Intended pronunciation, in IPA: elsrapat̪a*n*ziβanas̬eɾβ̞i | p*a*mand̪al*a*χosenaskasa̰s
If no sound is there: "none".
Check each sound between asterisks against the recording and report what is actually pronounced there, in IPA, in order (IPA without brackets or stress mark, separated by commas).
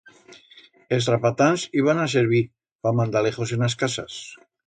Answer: n, a, e